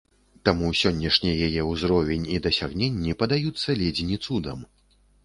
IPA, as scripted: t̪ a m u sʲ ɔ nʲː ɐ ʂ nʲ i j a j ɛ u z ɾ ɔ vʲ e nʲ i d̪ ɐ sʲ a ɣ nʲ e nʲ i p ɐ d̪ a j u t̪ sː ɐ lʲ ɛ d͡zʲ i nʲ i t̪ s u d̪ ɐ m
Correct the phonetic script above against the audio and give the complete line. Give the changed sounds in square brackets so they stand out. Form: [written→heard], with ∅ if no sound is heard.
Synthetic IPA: t̪ a m u sʲ ɔ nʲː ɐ ʂ nʲ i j a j ɛ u z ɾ ɔ vʲ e nʲ i d̪ ɐ sʲ a ɣ nʲ e [nʲ→nʲː] i p ɐ d̪ a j u t̪ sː ɐ lʲ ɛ d͡zʲ i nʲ i t̪ s u d̪ ɐ m